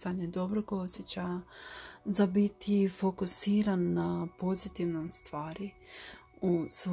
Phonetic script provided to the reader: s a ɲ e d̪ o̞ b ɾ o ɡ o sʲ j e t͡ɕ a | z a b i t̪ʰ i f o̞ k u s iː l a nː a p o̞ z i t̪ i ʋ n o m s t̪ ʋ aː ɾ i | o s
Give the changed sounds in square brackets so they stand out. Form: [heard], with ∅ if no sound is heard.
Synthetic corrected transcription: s a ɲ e d̪ o̞ b ɾ o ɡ o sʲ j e t͡ɕ a | z a b i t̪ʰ i f o̞ k u s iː [ɾ] a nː a p o̞ z i t̪ i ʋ n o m s t̪ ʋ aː ɾ i | [u] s